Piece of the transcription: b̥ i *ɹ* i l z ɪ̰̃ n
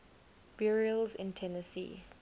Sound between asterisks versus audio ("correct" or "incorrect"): correct